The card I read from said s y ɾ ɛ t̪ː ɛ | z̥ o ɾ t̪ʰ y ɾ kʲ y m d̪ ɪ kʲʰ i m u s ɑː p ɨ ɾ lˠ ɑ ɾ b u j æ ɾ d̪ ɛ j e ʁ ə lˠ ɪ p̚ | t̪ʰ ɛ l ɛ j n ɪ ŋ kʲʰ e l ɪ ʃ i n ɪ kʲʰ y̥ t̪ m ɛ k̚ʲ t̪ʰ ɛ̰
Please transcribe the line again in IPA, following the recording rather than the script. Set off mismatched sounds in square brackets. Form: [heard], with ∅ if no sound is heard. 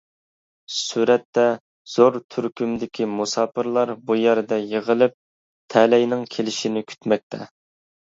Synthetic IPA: s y ɾ ɛ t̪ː ɛ | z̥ o ɾ t̪ʰ y ɾ kʲ y m d̪ ɪ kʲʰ i m u s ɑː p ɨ ɾ lˠ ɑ ɾ b u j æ ɾ d̪ ɛ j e ʁ ə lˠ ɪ p̚ | t̪ʰ ɛ l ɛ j n ɪ ŋ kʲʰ e l ɪ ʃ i n ɪ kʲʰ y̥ t̪ m ɛ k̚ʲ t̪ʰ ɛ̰

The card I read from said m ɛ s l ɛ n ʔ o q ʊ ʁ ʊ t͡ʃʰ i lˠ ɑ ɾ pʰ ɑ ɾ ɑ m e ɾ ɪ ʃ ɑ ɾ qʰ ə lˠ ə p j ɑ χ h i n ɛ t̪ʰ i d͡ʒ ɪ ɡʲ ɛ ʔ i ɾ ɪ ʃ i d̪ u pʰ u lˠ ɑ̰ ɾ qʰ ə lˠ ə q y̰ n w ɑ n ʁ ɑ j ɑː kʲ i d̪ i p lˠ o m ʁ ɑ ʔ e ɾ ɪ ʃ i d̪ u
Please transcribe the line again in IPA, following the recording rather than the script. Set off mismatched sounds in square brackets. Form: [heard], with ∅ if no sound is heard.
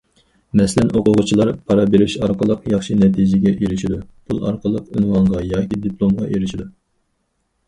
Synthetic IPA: m ɛ s l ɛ n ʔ o q ʊ ʁ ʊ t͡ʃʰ i lˠ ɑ ɾ pʰ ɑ ɾ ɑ [b] e ɾ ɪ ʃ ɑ ɾ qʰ ə lˠ ə [q] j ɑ χ [ʃ] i n ɛ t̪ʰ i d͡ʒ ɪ ɡʲ ɛ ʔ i ɾ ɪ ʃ i d̪ u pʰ u lˠ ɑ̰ ɾ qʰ ə lˠ ə q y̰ n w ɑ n ʁ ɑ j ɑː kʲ i d̪ i p lˠ o m ʁ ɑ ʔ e ɾ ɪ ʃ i d̪ u

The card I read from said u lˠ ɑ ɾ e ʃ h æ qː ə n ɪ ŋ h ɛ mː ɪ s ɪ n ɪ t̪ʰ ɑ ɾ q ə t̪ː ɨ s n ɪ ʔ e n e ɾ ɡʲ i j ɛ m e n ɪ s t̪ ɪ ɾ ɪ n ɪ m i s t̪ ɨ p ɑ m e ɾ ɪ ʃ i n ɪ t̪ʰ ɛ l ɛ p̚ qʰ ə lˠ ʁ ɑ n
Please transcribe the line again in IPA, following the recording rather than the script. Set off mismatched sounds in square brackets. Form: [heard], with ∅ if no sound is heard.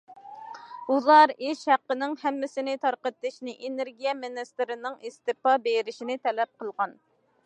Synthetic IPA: u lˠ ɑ ɾ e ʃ h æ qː ə n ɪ ŋ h ɛ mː ɪ s ɪ n ɪ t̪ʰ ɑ ɾ q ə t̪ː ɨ [ʃ] n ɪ ʔ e n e ɾ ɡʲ i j ɛ m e n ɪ s t̪ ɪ ɾ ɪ n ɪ [ŋ] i s t̪ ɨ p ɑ [b] e ɾ ɪ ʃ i n ɪ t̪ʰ ɛ l ɛ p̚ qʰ ə lˠ ʁ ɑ n

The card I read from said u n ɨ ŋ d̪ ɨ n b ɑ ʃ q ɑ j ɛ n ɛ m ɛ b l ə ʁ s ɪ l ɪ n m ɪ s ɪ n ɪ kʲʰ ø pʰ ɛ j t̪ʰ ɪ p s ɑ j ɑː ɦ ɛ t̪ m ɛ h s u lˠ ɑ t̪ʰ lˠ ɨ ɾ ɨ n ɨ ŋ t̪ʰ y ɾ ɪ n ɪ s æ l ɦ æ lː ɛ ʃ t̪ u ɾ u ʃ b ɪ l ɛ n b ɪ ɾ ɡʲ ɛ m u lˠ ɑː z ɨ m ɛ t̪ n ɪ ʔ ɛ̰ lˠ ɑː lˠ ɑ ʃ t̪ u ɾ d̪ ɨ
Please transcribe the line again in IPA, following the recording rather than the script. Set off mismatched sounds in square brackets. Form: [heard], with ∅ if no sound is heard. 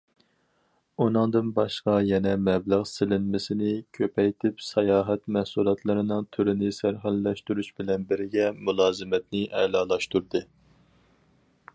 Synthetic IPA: u n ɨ ŋ d̪ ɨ n b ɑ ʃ q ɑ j ɛ n ɛ m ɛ b l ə ʁ s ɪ l ɪ n m ɪ s ɪ n ɪ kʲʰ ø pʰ ɛ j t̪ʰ ɪ p s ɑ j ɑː ɦ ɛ t̪ m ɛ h s u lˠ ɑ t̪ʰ lˠ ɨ ɾ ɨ n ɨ ŋ t̪ʰ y ɾ ɪ n ɪ s æ [ɾ] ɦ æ lː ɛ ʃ t̪ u ɾ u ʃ b ɪ l ɛ n b ɪ ɾ ɡʲ ɛ m u lˠ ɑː z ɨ m ɛ t̪ n ɪ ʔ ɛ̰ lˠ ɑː lˠ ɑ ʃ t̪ u ɾ d̪ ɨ

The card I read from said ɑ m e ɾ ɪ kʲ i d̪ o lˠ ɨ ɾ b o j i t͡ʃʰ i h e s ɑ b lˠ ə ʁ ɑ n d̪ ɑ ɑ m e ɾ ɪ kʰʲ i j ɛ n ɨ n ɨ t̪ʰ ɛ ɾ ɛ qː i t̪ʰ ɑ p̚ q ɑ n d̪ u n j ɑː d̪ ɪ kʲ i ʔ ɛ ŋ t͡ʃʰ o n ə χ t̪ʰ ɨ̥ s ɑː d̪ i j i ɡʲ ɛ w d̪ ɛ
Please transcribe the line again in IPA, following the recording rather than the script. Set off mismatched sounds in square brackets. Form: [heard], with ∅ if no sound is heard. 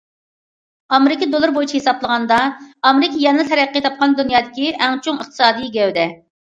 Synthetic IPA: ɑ m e ɾ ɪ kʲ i d̪ o lˠ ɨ ɾ b o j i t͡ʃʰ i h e s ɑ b lˠ ə ʁ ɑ n d̪ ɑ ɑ m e ɾ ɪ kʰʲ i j ɛ n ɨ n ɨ t̪ʰ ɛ ɾ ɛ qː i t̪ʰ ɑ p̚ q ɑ n d̪ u n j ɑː d̪ ɪ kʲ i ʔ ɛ ŋ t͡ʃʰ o [ŋ] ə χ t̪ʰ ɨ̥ s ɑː d̪ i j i ɡʲ ɛ w d̪ ɛ

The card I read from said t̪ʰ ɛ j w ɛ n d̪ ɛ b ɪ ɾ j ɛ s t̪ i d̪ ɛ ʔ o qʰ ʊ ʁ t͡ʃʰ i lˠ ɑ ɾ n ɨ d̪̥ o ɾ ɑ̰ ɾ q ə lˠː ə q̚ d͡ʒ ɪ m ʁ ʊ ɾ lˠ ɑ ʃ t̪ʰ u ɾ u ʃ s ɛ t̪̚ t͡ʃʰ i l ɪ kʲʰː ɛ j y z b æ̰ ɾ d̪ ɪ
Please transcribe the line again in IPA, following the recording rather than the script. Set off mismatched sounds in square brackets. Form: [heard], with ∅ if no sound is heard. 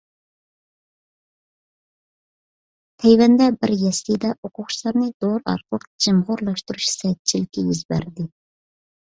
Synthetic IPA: t̪ʰ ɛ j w ɛ n d̪ ɛ b ɪ ɾ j ɛ s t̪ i d̪ ɛ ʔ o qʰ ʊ [χ] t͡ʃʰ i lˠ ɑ ɾ n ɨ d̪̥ o ɾ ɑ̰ ɾ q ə [lˠ] ə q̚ d͡ʒ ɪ m ʁ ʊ ɾ lˠ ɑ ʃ [t̪] u ɾ u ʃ s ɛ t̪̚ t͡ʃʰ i l ɪ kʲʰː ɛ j y z b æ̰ ɾ d̪ ɪ

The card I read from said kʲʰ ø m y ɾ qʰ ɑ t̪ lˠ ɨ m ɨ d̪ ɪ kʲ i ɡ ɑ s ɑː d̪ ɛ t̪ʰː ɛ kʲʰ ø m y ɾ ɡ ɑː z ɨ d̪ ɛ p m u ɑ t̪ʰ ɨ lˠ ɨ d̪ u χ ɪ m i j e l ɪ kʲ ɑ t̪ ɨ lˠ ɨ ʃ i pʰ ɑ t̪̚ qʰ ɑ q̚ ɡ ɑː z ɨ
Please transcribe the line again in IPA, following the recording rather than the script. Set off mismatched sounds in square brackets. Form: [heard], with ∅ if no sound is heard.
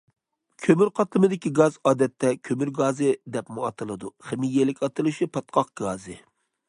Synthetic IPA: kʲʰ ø m y ɾ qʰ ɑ t̪ lˠ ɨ m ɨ d̪ ɪ kʲ i ɡ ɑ [z] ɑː d̪ ɛ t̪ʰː ɛ kʲʰ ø m y ɾ ɡ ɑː z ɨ d̪ ɛ p m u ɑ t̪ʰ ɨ lˠ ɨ d̪ u χ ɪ m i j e l ɪ kʲ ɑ t̪ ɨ lˠ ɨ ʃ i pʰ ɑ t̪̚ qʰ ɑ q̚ ɡ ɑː z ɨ

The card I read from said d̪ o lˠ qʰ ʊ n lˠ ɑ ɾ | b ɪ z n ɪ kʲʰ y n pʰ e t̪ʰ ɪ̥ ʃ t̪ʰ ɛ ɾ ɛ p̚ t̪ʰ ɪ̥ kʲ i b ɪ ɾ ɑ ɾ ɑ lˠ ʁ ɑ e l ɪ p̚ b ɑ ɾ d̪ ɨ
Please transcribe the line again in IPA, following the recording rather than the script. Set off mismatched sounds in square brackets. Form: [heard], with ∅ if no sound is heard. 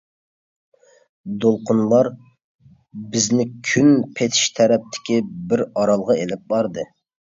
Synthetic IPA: d̪ o lˠ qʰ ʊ n lˠ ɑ ɾ | b ɪ z n ɪ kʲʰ y n pʰ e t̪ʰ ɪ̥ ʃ t̪ʰ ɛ ɾ ɛ p̚ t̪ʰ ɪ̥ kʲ i b ɪ ɾ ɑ ɾ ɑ lˠ ʁ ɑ e l ɪ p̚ b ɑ ɾ d̪ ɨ

